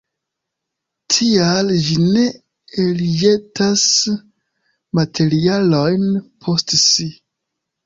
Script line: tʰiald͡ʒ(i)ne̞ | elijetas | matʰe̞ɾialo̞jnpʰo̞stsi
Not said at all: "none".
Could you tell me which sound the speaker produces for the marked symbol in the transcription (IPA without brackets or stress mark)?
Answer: i